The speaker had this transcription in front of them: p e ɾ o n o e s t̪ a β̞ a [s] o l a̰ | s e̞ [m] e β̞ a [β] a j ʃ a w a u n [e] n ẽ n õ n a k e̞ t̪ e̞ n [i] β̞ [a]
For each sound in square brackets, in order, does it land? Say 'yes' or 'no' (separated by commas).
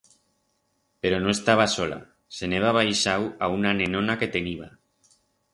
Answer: yes, no, yes, no, yes, yes